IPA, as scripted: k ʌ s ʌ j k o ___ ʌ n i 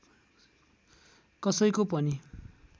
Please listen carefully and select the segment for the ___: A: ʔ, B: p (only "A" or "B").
B